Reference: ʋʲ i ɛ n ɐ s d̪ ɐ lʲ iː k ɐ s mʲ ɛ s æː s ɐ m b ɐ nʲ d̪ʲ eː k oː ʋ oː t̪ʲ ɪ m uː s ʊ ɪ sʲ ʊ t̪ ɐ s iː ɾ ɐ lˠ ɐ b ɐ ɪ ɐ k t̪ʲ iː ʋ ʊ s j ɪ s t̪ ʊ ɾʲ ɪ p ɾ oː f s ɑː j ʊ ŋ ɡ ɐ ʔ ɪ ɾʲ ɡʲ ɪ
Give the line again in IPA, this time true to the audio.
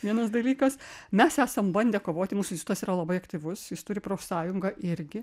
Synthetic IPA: ʋʲ i ɛ n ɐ s d̪ ɐ lʲ iː k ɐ s mʲ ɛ s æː s ɐ m b ɐ nʲ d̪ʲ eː k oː ʋ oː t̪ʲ ɪ m uː s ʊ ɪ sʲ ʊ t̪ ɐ s iː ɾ ɐ lˠ ɐ b ɐ ɪ ɐ k t̪ʲ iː ʋ ʊ s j ɪ s t̪ ʊ ɾʲ ɪ p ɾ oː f s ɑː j ʊ ŋ ɡ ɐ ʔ ɪ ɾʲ ɡʲ ɪ